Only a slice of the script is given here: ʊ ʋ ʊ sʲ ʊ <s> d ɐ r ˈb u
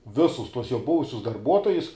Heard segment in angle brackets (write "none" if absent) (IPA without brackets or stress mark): s